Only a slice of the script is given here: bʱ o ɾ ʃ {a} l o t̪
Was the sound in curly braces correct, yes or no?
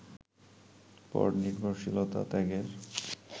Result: no